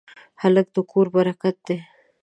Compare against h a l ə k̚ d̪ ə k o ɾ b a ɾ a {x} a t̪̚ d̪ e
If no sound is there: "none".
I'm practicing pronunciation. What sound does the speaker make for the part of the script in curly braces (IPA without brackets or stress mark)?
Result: k